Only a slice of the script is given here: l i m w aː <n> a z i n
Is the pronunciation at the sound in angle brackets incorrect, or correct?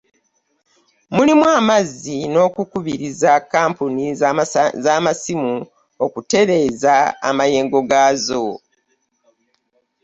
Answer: incorrect